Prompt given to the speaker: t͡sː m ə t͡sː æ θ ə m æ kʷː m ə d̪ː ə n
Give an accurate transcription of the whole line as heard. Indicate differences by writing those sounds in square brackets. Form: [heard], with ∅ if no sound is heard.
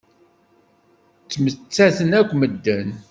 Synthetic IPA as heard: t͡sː m ə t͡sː æ θ ə [n] æ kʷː m ə d̪ː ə n